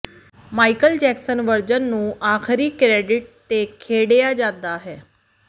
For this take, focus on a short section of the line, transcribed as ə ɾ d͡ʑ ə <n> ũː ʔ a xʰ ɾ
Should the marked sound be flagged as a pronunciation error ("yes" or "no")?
yes